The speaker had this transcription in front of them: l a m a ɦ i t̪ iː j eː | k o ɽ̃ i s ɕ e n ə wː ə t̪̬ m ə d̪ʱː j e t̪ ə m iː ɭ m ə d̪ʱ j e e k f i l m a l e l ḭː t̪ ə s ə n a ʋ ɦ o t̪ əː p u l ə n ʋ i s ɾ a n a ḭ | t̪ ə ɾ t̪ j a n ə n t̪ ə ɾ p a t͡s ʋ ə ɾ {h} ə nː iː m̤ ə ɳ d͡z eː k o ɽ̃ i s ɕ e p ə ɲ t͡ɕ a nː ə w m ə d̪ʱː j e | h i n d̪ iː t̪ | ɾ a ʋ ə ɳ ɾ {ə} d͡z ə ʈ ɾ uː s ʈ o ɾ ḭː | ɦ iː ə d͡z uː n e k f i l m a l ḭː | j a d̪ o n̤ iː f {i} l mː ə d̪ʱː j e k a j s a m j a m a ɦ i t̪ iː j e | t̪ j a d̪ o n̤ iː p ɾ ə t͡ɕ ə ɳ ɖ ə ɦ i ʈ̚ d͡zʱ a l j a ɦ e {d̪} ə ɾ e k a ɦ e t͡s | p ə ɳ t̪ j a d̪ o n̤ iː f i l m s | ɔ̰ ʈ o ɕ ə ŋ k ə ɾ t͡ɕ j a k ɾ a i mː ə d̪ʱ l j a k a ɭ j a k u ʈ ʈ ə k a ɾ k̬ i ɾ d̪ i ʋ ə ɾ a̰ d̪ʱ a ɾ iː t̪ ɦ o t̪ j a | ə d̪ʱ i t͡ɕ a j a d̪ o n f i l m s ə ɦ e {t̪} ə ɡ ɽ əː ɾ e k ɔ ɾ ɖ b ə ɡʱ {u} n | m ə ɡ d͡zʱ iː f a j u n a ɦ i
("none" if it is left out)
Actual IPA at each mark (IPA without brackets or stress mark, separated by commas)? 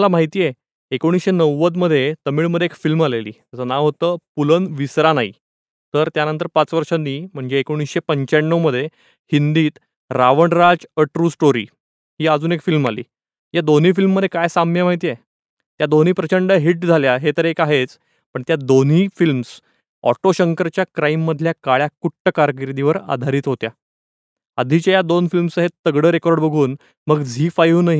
ʂ, a, i, t̪, t̪, uː